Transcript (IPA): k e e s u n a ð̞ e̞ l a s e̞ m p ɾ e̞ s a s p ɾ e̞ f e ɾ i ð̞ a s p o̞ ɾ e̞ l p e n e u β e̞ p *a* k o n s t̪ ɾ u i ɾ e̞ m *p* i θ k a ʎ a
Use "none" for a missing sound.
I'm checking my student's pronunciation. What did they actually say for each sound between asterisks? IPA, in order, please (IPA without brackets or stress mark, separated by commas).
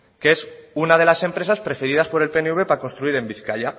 a, b